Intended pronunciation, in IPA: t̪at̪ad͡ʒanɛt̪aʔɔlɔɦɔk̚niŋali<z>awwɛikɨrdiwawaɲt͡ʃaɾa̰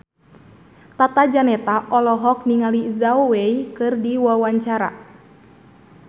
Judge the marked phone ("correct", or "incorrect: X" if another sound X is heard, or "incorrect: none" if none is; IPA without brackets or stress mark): correct